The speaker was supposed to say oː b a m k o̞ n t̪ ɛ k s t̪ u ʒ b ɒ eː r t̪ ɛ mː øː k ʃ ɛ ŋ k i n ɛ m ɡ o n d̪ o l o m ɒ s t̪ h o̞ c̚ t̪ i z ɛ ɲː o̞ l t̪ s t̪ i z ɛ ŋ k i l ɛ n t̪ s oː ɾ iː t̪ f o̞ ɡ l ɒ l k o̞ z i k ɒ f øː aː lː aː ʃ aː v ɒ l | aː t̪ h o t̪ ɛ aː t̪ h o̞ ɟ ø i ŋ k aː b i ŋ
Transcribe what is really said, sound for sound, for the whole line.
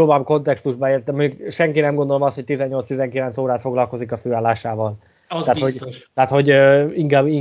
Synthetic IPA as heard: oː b a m k o̞ n t̪ ɛ k s t̪ u ʒ b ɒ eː r t̪ ɛ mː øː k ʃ ɛ ŋ k i n ɛ m ɡ o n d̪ o l o m ɒ s t̪ h o̞ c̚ t̪ i z ɛ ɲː o̞ l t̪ s t̪ i z ɛ ŋ k i l ɛ n t̪ s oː ɾ aː t̪ f o̞ ɡ l ɒ l k o̞ z i k ɒ f øː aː lː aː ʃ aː v ɒ l | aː t̪ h o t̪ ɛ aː t̪ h o̞ ɟ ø i ŋ k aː b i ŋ